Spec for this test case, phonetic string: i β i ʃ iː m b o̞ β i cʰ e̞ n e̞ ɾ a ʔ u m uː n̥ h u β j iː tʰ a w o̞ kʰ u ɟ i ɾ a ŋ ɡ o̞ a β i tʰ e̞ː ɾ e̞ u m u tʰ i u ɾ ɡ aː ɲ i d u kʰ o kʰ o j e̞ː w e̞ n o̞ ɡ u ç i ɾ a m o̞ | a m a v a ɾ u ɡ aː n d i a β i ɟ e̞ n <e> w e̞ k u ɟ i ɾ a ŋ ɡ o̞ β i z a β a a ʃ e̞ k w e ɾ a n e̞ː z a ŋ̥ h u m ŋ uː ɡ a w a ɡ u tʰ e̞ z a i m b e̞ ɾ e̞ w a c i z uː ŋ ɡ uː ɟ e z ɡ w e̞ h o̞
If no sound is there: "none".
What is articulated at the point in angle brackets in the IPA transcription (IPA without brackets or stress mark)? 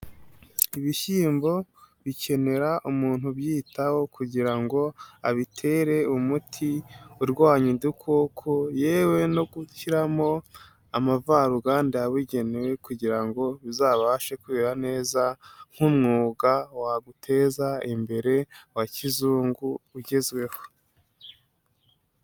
e